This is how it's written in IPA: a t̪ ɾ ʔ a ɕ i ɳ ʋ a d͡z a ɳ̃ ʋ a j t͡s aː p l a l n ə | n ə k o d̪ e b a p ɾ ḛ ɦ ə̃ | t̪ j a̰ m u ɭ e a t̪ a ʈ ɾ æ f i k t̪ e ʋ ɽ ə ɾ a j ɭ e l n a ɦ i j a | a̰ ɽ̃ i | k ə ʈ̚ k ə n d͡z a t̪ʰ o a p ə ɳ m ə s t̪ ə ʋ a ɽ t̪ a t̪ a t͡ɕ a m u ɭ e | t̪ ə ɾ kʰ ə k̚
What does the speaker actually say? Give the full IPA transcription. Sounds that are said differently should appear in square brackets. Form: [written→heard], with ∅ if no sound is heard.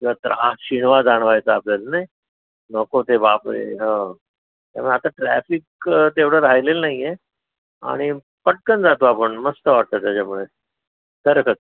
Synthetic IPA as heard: a t̪ ɾ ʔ a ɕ i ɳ ʋ a d͡z a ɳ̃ ʋ a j t͡s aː p l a l n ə | n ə k o [d̪→t̪] e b a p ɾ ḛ ɦ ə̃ | t̪ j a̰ m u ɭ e a t̪ a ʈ ɾ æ f i k t̪ e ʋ ɽ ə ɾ a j [ɭ→l] e l n a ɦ i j [a→e] | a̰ ɽ̃ i | [k→p] ə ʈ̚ k ə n d͡z a [t̪ʰ→t̪] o a p ə ɳ m ə s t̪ ə ʋ a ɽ t̪ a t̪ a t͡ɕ a m u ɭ e | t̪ ə ɾ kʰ ə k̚

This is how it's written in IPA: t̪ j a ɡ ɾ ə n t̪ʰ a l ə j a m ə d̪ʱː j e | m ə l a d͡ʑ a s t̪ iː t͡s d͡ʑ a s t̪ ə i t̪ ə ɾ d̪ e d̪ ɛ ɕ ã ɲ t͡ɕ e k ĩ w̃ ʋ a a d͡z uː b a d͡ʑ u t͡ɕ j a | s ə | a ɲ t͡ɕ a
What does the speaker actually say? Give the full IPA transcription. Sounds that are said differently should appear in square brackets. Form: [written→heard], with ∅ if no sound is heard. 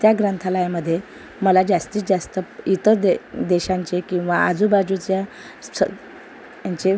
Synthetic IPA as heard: t̪ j a ɡ ɾ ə n t̪ʰ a l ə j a m ə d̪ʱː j e | m ə l a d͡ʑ a s t̪ iː t͡s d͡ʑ a s t̪ ə i t̪ ə ɾ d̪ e d̪ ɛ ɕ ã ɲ t͡ɕ e k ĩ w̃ ʋ a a d͡z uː b a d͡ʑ u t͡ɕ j a | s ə | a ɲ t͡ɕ [a→e]

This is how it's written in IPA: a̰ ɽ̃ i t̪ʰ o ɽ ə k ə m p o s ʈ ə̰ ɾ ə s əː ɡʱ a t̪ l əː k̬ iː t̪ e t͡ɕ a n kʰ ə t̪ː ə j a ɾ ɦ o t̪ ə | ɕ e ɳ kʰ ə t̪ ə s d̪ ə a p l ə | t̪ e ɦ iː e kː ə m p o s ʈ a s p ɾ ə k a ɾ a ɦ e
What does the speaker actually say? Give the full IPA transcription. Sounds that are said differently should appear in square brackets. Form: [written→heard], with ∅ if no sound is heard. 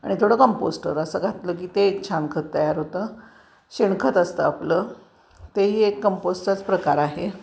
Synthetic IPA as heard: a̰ ɽ̃ i t̪ʰ o ɽ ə k ə m p o s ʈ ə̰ ɾ ə s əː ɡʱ a t̪ l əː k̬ iː t̪ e [t͡ɕ→t͡ɕʰ] a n kʰ ə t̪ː ə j a ɾ ɦ o t̪ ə | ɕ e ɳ kʰ ə t̪ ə s [d̪→t̪] ə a p l ə | t̪ e ɦ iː e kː ə m p o s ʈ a [s→t͡s] p ɾ ə k a ɾ a ɦ e

